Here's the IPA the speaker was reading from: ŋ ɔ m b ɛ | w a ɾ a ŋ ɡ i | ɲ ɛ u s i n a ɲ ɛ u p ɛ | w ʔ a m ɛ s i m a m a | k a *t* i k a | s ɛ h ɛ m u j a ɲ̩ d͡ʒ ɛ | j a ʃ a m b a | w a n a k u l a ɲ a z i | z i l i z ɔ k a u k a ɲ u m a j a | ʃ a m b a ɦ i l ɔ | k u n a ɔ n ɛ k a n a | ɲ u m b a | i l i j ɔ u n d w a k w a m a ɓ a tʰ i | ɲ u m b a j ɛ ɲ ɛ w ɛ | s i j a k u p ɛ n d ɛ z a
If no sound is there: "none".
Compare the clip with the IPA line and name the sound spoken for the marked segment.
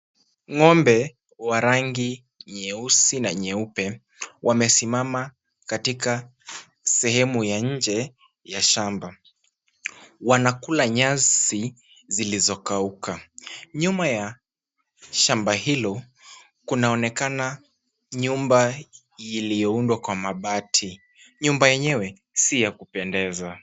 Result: t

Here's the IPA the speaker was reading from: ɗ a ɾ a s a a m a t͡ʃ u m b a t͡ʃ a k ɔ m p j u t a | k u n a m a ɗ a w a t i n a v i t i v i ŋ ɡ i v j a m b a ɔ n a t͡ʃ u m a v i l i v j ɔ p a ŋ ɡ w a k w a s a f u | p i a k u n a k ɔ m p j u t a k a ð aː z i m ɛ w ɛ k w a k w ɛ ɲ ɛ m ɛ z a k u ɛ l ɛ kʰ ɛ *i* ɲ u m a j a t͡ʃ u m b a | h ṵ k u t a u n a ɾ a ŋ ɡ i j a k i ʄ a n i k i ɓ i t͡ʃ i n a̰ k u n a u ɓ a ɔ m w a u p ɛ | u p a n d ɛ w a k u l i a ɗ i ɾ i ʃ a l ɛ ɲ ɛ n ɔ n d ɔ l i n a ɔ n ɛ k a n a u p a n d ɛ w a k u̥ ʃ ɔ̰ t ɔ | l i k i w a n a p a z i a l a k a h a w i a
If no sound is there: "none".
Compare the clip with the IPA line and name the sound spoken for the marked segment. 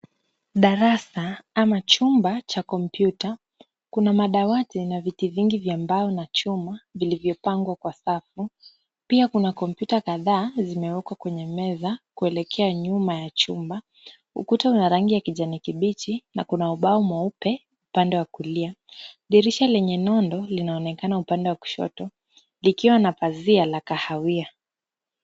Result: a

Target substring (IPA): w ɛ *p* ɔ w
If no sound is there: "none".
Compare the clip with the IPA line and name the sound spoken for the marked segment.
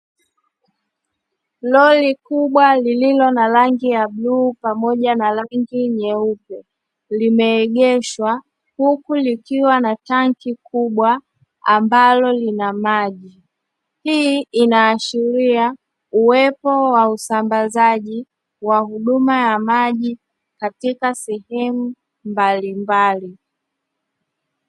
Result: p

